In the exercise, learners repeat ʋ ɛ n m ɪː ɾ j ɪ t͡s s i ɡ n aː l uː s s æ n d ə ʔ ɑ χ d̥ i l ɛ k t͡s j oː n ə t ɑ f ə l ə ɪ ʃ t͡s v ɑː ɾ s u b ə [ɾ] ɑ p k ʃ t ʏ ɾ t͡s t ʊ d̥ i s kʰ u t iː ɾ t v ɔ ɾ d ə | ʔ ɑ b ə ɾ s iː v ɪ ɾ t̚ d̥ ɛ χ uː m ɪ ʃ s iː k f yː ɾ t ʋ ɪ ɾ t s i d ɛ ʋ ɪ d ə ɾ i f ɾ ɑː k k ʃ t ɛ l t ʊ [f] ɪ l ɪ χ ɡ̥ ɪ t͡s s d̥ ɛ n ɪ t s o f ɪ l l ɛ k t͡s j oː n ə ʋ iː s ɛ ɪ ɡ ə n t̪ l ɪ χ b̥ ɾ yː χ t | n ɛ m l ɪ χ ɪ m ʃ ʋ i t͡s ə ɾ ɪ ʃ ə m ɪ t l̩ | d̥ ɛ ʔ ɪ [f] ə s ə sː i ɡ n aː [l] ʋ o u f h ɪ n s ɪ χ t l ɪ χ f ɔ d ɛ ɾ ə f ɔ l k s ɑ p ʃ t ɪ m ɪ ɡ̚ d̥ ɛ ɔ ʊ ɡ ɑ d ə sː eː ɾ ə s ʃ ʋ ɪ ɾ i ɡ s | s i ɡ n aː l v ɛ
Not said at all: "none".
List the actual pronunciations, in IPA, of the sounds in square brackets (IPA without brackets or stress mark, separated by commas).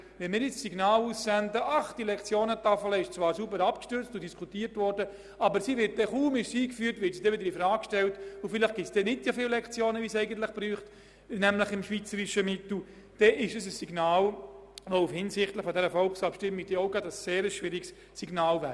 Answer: ɾ, f, ʃ, l